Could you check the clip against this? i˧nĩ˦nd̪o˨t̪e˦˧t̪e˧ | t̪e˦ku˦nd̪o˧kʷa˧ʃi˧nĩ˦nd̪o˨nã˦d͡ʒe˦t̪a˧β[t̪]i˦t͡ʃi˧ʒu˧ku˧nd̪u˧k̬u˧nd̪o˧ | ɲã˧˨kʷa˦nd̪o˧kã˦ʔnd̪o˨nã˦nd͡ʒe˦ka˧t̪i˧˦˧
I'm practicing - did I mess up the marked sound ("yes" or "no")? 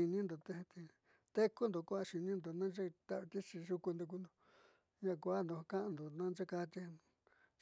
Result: no